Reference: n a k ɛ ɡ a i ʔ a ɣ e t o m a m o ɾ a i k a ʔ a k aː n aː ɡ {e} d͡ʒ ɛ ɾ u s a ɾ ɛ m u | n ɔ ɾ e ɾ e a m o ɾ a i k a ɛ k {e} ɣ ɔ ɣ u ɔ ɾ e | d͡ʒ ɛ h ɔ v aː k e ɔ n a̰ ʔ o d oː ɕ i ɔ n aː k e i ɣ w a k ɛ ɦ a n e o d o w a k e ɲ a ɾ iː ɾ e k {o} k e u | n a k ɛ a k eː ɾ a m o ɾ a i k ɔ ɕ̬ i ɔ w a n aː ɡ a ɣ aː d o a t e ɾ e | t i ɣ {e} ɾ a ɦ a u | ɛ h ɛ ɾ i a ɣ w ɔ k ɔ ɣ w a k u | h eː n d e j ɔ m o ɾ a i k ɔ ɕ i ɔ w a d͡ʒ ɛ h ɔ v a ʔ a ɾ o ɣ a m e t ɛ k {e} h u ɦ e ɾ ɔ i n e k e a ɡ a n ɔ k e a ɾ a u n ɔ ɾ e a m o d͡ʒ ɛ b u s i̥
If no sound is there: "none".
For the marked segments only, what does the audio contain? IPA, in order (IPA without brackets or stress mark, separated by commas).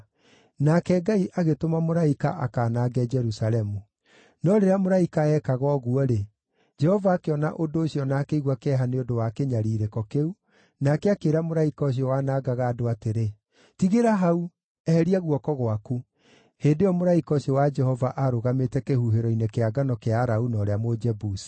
ɛ, a, ɔ, e, e